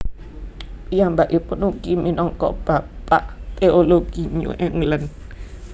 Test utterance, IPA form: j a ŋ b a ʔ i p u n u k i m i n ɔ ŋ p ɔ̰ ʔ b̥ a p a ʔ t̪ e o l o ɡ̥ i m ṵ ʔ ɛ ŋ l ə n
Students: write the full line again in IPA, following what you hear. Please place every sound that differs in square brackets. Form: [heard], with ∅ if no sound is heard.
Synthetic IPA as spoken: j a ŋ b a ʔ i p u n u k i m i n ɔ ŋ [k] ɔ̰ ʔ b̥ a p a ʔ t̪ e o l o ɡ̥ i [ɲ] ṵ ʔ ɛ ŋ l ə n

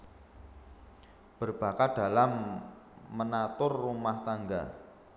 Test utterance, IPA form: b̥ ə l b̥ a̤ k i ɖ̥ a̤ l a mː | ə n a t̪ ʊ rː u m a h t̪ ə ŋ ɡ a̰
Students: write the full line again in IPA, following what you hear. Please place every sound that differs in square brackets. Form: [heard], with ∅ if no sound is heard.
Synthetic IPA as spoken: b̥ ə [r] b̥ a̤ k [a] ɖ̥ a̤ l a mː | ə n a t̪ ʊ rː u m a h t̪ [a] ŋ ɡ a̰

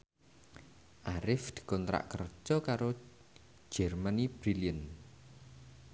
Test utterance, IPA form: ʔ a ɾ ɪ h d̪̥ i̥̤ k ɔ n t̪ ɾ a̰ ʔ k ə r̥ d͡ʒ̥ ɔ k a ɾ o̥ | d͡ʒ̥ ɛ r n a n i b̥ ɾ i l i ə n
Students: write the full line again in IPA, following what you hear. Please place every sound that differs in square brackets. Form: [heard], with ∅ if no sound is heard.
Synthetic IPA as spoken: ʔ a ɾ ɪ [f] d̪̥ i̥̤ k ɔ n t̪ ɾ a̰ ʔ k ə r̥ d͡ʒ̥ ɔ k a ɾ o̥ | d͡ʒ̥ ɛ r [m] a n i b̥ ɾ i l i ə n

